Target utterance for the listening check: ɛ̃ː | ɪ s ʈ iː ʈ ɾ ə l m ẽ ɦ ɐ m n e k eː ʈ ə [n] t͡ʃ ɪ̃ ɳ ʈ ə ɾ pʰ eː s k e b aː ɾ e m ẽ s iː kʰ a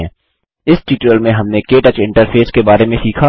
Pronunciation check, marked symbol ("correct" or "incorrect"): incorrect